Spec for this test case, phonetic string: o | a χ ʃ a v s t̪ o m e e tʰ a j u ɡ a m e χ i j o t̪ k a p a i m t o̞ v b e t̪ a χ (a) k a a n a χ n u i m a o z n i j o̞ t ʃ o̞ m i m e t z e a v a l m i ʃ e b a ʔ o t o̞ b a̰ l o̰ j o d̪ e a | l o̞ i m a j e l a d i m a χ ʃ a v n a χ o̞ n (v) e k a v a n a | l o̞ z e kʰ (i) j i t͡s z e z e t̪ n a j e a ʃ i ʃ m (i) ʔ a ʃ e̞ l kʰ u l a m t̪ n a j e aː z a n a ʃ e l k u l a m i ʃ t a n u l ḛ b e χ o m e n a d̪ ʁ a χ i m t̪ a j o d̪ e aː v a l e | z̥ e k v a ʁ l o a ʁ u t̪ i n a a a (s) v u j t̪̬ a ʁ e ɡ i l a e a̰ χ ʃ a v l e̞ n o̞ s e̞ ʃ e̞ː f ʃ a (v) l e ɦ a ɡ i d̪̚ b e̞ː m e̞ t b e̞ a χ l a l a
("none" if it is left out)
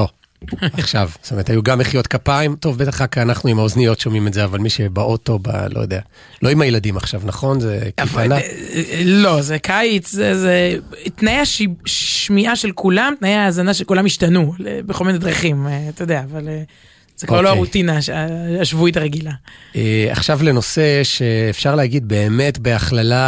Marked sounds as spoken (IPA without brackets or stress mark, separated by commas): a, z, a, i, ʃ, ʁ